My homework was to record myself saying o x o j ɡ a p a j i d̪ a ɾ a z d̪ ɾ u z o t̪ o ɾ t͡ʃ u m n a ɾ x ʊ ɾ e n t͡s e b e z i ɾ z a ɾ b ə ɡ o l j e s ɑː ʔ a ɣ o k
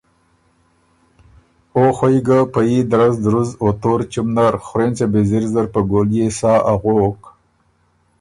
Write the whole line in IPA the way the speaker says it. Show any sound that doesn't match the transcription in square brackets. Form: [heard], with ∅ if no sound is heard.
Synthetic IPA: o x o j ɡ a p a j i d̪ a ɾ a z d̪ ɾ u z o t̪ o ɾ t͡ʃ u m n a ɾ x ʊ ɾ e n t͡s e b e z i ɾ z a ɾ [p] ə ɡ o l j e s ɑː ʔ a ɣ o k